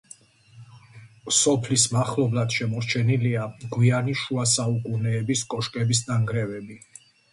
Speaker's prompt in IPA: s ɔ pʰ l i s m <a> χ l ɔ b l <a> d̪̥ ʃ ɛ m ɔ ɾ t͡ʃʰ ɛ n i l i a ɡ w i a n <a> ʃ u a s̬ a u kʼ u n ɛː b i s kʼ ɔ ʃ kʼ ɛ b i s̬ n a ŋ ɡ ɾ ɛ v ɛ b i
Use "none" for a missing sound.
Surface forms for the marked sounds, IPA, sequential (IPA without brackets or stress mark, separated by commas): a, a, i